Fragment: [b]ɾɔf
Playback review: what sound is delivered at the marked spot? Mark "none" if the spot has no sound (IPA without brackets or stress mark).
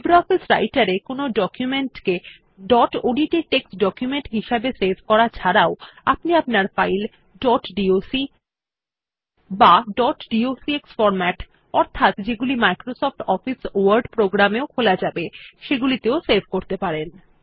b